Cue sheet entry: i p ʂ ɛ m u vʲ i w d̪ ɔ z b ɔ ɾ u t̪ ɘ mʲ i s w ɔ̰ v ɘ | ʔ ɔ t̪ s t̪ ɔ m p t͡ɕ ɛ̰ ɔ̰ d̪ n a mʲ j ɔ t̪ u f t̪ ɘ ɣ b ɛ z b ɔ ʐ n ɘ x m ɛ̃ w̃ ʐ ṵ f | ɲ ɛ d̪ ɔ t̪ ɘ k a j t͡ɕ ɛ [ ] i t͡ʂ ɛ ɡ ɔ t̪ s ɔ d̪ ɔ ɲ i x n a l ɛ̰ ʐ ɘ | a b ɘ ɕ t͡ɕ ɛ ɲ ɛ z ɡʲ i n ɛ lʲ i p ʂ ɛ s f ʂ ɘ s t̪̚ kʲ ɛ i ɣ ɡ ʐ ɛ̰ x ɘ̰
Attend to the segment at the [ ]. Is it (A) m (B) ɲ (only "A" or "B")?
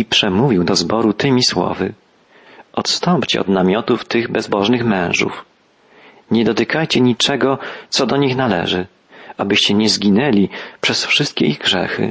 B